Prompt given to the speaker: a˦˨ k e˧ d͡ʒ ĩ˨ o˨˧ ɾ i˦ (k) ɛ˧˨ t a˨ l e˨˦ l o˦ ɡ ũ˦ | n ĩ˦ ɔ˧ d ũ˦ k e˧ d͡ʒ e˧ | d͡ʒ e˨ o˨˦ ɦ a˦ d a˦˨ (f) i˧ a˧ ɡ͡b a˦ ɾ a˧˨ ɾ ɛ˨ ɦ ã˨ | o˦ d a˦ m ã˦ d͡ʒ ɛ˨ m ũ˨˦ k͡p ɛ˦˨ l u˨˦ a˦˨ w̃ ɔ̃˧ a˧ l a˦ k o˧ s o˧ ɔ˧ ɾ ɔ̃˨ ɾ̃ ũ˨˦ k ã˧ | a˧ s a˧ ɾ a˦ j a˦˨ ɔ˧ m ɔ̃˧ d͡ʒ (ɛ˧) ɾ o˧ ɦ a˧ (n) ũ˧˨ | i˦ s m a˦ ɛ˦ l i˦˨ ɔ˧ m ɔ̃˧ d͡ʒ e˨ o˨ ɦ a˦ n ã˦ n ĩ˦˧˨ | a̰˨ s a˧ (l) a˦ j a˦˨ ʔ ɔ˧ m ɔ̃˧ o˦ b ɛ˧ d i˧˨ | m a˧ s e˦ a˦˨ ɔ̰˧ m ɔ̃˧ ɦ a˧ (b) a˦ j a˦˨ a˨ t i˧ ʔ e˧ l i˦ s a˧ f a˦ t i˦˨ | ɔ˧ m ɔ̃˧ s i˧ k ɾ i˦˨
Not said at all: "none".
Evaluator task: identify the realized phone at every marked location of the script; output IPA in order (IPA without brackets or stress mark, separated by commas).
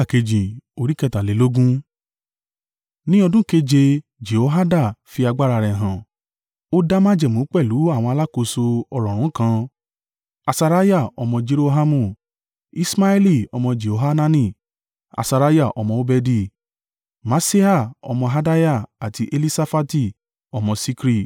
k, f, e˧, m, ɾ, d